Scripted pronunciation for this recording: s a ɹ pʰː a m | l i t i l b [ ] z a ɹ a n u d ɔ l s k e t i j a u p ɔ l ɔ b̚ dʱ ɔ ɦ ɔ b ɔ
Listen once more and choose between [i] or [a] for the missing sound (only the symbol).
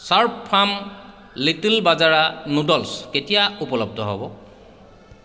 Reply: a